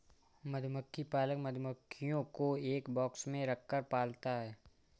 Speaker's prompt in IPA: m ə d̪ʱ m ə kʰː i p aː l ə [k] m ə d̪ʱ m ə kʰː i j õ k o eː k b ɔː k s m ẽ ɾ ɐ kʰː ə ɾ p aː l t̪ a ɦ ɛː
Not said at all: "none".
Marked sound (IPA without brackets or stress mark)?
k